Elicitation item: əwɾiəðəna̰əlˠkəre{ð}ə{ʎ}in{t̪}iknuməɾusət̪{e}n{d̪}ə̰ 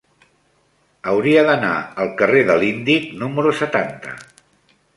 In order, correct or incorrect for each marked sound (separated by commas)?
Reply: correct, incorrect, incorrect, incorrect, incorrect